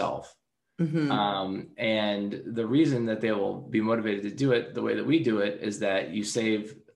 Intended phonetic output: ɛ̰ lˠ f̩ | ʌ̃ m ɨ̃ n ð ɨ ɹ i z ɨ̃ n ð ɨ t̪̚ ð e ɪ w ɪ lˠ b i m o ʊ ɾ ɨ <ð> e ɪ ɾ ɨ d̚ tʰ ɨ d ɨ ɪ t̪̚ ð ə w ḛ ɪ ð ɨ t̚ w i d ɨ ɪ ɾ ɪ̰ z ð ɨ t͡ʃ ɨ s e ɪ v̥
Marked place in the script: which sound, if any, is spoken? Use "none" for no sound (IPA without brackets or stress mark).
v